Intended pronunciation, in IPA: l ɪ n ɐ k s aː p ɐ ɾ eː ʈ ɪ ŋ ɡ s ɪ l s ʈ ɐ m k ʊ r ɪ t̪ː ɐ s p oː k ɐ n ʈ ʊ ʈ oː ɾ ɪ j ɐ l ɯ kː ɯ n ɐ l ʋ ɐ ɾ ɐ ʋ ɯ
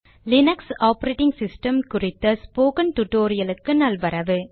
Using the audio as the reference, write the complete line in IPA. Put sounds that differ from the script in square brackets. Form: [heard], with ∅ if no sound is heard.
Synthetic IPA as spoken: l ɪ n ɐ k s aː p ɐ ɾ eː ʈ ɪ ŋ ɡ s ɪ [∅] s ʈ ɐ m k ʊ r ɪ t̪ː ɐ s p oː k ɐ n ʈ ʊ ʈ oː ɾ ɪ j ɐ l ɯ kː ɯ n ɐ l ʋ ɐ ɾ ɐ ʋ ɯ

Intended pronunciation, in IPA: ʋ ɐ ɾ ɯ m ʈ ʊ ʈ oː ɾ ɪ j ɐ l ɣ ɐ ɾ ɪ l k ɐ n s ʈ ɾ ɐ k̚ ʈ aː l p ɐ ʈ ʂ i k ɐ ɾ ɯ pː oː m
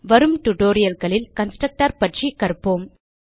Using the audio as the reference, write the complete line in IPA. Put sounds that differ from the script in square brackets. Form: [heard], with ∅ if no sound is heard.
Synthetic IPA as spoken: ʋ ɐ ɾ ɯ m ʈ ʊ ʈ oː ɾ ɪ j ɐ l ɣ ɐ [ɭ] ɪ l k ɐ n s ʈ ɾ ɐ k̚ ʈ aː [ɾ] p ɐ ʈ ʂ i k ɐ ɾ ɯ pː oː m

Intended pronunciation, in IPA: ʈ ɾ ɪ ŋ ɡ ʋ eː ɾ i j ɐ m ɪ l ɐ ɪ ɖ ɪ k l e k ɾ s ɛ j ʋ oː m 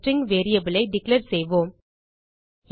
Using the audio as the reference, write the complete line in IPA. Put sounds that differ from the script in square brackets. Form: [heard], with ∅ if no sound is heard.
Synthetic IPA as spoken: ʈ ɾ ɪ ŋ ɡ ʋ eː ɾ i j ɐ [b] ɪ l ɐ ɪ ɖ ɪ k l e [∅] ɾ s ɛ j ʋ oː m

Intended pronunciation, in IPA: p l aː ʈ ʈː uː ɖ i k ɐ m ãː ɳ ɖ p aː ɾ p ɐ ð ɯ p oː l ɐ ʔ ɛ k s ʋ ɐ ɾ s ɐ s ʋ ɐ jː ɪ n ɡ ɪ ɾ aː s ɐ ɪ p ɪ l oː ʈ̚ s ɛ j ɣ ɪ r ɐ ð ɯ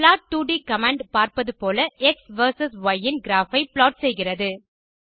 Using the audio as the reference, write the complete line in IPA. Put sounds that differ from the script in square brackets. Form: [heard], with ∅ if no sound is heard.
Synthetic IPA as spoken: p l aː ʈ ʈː uː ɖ i k ɐ m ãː ɳ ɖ p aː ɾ p ɐ ð ɯ p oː l ɐ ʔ ɛ k s ʋ ɐ ɾ s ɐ s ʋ ɐ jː ɪ n ɡ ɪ ɾ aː [f] ɐ ɪ p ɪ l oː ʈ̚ s ɛ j ɣ ɪ r ɐ ð ɯ

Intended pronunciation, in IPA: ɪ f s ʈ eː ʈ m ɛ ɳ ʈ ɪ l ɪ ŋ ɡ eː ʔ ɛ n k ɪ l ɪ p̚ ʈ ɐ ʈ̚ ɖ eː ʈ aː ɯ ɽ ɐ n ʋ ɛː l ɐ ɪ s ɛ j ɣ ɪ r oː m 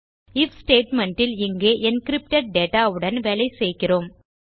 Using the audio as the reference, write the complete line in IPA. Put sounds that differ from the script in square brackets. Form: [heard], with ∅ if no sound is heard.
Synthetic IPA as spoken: ɪ f s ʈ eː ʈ m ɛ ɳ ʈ ɪ l ɪ ŋ ɡ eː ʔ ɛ n k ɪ [ɾ] ɪ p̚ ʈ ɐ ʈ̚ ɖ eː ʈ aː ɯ ɽ ɐ n ʋ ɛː l ɐ ɪ s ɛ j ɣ ɪ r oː m

